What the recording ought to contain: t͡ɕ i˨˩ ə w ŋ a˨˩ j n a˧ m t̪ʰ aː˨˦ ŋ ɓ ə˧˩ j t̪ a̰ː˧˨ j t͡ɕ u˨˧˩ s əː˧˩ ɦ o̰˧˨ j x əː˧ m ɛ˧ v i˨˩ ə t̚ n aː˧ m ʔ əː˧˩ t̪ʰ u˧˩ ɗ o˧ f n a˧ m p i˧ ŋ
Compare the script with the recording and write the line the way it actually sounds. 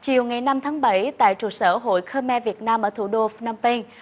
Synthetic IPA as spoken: t͡ɕ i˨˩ ə w ŋ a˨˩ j n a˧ m t̪ʰ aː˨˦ ŋ ɓ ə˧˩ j t̪ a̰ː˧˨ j t͡ɕ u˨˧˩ s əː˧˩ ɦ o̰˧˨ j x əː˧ m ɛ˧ v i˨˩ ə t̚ n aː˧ m ʔ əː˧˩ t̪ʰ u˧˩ ɗ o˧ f n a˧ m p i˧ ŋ